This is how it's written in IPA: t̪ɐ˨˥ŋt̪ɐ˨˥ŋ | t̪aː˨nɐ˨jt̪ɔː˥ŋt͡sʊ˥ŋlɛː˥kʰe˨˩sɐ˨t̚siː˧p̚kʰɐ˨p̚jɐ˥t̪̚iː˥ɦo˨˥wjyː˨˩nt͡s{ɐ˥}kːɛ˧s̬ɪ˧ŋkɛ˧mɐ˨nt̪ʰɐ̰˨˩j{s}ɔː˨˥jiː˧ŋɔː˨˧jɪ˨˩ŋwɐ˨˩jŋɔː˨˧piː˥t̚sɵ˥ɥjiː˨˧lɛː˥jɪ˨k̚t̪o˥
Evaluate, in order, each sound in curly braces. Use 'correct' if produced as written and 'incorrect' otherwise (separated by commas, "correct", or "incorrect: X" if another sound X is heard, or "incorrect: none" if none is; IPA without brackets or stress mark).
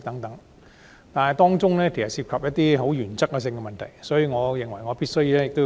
correct, correct